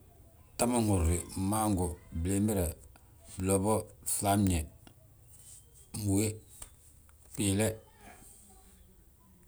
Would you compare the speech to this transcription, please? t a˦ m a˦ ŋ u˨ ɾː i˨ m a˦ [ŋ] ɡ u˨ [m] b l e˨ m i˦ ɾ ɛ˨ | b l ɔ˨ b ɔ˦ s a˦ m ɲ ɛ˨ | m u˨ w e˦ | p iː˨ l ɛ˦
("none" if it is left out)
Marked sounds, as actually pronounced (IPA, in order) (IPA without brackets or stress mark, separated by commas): ŋ, none